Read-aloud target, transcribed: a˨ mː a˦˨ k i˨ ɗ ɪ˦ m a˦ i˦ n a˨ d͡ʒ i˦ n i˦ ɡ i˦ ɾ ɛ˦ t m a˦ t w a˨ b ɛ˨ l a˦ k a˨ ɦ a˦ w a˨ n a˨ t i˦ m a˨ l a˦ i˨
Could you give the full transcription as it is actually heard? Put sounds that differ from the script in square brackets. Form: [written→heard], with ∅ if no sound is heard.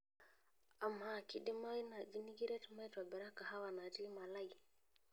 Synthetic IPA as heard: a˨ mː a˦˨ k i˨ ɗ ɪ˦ m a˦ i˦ n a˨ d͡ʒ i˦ n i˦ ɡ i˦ ɾ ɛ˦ t m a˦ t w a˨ b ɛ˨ [l→ɾ] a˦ k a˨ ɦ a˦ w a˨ n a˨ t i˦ m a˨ l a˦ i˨

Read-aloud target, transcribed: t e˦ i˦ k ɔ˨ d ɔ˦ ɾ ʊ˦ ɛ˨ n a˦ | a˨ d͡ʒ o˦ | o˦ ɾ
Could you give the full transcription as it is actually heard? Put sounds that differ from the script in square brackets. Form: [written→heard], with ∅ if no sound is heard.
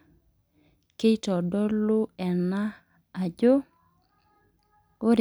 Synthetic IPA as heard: [t→k] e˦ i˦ [k→t] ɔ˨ d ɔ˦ [ɾ→l] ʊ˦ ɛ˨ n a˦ | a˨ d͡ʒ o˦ | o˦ ɾ

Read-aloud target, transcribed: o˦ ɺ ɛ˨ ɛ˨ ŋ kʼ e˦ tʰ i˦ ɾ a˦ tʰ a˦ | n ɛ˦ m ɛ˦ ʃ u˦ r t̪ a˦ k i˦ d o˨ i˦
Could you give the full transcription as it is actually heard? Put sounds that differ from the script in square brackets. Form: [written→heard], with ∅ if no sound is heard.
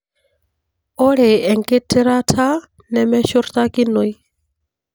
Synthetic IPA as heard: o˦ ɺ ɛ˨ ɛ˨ ŋ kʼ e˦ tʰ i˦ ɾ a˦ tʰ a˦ | n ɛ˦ m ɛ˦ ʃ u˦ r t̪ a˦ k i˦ [d→n] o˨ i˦

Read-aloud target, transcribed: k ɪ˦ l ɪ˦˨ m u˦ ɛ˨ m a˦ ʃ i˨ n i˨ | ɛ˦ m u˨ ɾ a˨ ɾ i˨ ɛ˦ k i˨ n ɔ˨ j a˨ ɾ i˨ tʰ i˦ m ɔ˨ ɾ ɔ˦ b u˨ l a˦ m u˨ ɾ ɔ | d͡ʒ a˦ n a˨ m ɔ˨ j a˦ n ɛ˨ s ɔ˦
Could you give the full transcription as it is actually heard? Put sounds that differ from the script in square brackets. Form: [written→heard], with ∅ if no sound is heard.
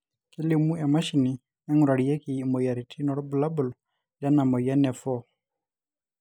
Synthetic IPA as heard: k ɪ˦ l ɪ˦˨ m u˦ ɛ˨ m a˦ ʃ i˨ n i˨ | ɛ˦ [m→ŋ] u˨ ɾ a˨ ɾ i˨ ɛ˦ k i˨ [n→m] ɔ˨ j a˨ ɾ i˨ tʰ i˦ [m→n] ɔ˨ ɾ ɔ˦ b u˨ l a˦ [m→b] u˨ [ɾ→l] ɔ | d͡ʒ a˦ n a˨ m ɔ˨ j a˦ n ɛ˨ [s→f] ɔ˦

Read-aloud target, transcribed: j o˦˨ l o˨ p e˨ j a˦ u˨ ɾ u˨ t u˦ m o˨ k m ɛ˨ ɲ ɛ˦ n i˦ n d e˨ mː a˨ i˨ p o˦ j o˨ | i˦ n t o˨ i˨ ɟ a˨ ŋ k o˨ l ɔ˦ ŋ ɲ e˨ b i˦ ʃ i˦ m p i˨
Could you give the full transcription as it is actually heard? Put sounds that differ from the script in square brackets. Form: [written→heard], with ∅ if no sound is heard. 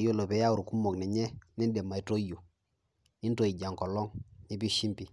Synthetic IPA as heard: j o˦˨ l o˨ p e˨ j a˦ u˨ ɾ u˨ [t→k] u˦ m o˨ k [m→n] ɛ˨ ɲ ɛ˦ n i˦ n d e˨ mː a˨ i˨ [p→t] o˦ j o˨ | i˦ n t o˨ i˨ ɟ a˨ ŋ k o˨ l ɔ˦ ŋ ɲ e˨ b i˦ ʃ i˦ m p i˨

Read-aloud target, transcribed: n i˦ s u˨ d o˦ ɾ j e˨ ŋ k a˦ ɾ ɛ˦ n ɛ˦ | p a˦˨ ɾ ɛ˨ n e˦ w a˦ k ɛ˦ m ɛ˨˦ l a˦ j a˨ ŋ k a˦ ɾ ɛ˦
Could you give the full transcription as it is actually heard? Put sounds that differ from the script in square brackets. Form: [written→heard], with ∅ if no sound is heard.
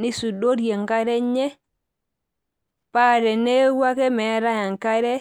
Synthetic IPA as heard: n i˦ s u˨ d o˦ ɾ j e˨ ŋ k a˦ ɾ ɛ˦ [n→ɲ] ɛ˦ | p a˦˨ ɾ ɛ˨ n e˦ w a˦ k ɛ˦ m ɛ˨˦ [l→ɾ] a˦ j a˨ ŋ k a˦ ɾ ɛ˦

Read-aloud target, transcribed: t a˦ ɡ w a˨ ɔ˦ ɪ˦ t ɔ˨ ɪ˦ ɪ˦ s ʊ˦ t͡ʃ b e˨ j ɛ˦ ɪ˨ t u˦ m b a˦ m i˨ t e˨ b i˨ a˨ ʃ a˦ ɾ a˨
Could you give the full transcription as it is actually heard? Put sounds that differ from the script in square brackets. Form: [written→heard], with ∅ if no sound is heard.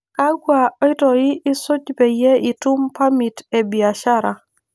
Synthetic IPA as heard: [t→k] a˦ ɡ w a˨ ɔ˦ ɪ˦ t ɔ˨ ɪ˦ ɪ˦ s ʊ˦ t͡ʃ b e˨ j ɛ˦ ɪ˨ t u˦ m [b→p] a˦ m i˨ t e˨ b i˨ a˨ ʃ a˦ ɾ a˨

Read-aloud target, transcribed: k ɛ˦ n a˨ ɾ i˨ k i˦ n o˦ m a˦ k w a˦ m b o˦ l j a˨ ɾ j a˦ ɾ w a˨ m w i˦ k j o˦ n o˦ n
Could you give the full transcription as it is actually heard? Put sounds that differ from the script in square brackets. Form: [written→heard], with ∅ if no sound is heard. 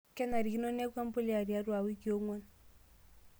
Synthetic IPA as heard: k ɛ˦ n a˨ ɾ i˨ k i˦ n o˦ [m→n] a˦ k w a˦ m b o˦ l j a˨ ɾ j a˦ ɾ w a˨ [m→∅] w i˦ k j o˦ [n→ŋ] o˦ n

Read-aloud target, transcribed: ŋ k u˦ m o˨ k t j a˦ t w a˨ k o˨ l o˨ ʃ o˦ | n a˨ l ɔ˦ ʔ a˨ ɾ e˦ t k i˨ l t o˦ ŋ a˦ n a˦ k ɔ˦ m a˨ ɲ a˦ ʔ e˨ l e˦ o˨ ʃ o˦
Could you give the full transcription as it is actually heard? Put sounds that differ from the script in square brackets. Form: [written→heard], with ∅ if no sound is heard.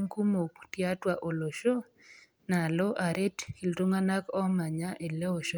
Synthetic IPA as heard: ŋ k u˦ m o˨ k t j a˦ t w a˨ [k→ʔ] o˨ l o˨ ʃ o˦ | n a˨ l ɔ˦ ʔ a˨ ɾ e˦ t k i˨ l t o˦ ŋ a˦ n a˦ k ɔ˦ m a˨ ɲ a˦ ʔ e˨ l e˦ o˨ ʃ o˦

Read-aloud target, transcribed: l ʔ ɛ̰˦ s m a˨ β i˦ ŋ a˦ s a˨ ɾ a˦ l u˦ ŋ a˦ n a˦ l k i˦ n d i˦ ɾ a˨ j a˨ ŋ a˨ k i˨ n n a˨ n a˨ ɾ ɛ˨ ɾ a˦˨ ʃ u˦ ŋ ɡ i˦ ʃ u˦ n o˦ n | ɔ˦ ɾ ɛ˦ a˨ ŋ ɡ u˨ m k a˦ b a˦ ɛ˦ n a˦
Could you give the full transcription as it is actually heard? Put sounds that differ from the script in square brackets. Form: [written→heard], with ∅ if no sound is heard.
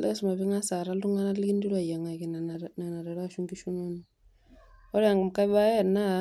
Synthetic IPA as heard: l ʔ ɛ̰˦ s m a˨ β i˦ ŋ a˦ s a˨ ɾ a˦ l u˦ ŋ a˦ n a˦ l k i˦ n d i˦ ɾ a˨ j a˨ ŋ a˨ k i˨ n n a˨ n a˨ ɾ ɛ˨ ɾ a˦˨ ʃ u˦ ŋ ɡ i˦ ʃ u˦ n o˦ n | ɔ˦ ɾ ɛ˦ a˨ ŋ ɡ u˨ m k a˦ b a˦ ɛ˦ n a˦

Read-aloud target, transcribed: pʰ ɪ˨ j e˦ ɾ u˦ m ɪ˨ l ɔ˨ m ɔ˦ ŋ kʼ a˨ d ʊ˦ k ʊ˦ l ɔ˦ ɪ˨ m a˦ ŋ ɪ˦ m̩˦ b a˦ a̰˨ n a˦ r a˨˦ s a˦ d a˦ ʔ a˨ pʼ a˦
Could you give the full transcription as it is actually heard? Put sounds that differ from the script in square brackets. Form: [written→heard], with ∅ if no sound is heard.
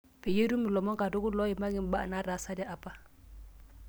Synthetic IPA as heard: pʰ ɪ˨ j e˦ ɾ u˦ m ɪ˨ l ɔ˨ m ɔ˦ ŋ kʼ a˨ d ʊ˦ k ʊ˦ l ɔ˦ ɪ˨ m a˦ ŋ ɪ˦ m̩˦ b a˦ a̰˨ n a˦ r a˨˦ s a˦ d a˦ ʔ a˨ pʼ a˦

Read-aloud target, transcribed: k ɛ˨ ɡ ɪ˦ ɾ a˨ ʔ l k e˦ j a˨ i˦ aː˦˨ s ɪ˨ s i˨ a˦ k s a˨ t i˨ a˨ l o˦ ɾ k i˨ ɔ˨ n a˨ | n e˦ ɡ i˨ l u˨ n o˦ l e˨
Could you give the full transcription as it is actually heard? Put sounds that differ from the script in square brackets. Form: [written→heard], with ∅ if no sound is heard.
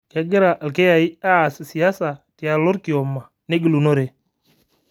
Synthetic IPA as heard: k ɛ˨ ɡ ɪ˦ ɾ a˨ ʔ l k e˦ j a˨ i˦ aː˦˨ s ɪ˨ s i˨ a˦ [k→∅] s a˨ t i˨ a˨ l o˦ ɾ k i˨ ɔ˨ [n→m] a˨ | n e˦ ɡ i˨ l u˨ n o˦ [l→ɾ] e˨

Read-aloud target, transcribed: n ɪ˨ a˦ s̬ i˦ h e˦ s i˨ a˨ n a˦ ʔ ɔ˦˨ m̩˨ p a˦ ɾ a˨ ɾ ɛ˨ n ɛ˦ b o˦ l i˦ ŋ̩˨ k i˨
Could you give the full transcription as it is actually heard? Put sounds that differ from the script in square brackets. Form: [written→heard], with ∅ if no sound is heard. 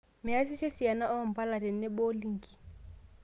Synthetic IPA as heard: [n→m] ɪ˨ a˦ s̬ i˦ [h→ʃ] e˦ s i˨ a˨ n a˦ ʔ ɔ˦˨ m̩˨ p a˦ [ɾ→l] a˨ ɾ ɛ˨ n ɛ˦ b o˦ l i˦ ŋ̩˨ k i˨

